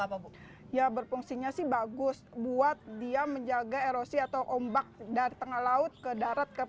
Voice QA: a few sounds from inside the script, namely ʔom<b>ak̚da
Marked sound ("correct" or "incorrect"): correct